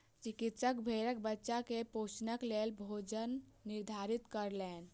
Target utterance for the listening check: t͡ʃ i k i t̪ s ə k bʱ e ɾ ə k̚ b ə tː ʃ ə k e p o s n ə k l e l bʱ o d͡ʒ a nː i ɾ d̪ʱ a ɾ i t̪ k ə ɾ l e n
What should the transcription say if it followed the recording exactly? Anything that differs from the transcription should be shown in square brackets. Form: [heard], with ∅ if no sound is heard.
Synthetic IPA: t͡ʃ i k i t̪ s ə k bʱ e ɾ ə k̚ b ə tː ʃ [a] k e p o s n ə k l e l bʱ o d͡ʒ [ə] nː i ɾ d̪ʱ a ɾ i t̪ k ə ɾ l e n